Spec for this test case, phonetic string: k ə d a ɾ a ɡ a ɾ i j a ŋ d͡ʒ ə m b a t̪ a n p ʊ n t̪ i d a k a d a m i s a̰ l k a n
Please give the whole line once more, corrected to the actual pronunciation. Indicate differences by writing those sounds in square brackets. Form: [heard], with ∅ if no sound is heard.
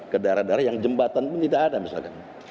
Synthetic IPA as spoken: k ə d a ɾ a [d] a ɾ [a] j a ŋ d͡ʒ ə m b a t̪ a n p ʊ n t̪ i d a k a d a m i s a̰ l k a n